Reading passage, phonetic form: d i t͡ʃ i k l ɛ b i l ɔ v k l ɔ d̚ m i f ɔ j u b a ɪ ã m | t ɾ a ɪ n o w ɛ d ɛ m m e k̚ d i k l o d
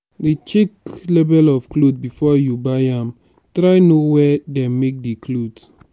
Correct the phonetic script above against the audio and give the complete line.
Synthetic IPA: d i t͡ʃ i k l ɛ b ɛ l ɔ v k l o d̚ b i f ɔ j u b a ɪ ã m | t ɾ a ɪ n o w ɛ d ɛ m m e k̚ d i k l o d